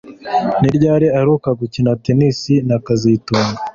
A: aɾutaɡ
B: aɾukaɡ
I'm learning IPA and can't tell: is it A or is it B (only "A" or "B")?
B